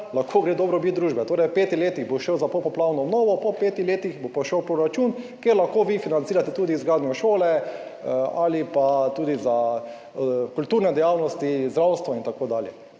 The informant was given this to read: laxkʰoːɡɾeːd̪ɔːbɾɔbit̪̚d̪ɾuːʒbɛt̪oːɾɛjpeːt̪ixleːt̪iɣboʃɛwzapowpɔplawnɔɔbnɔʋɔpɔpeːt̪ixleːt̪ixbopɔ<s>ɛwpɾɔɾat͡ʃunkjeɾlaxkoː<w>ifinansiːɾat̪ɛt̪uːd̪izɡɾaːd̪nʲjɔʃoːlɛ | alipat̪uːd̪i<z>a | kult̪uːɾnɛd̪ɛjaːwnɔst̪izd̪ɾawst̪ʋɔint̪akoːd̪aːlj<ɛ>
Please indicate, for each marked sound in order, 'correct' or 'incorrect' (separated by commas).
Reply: incorrect, incorrect, correct, correct